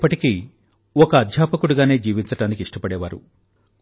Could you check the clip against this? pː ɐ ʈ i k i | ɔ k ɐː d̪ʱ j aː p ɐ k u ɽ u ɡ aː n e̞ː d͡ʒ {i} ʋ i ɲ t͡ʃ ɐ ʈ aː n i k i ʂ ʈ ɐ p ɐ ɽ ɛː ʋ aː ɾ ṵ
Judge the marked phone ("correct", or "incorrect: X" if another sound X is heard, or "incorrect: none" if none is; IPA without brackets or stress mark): incorrect: iː